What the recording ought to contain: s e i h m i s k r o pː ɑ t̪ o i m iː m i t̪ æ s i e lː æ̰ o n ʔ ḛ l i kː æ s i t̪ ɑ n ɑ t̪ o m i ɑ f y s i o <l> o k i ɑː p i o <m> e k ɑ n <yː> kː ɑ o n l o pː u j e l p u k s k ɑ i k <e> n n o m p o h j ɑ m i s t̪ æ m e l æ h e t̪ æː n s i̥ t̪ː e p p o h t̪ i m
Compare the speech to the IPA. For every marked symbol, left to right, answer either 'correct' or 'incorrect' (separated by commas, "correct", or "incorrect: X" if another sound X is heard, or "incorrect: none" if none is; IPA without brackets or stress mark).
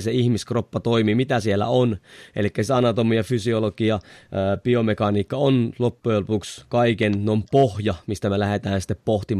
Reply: correct, correct, incorrect: iː, correct